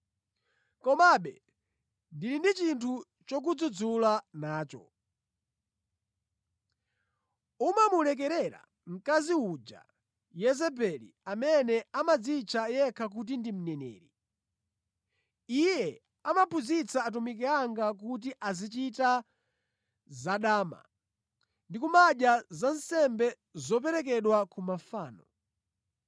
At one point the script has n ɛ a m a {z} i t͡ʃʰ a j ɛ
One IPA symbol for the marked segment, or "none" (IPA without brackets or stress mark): d͡z